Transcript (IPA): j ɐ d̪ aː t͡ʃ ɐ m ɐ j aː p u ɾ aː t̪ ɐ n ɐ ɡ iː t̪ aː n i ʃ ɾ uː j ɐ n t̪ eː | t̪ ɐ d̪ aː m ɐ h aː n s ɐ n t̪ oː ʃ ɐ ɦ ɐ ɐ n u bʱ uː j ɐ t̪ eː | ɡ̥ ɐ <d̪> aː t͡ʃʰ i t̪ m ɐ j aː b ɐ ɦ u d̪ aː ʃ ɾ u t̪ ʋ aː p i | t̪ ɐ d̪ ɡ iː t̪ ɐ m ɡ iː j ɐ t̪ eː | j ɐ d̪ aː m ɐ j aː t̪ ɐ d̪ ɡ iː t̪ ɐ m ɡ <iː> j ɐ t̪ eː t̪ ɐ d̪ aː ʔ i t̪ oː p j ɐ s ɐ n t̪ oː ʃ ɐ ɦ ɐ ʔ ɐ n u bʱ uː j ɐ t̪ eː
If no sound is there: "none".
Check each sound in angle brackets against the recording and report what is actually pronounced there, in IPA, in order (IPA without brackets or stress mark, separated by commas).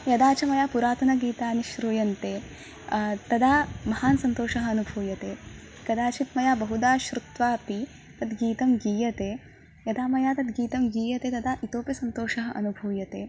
d̪, iː